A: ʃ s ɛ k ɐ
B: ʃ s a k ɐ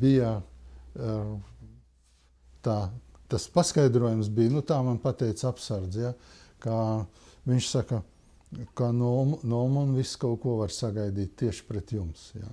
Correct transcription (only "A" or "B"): B